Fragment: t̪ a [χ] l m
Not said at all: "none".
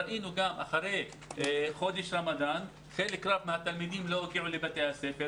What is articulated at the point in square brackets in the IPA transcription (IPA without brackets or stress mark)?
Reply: none